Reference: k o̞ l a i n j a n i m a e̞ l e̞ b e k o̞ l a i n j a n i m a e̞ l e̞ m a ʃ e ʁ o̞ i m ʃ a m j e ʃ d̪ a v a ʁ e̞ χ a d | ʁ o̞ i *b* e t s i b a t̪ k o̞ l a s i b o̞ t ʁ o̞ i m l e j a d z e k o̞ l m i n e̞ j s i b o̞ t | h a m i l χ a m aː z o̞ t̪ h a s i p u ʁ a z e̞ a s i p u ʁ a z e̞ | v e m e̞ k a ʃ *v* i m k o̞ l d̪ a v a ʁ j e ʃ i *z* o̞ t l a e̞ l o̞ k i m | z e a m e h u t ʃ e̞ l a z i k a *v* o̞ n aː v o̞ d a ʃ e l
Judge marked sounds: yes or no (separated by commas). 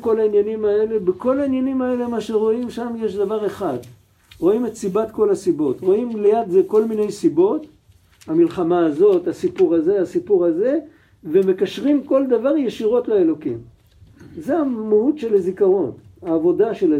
no, no, no, no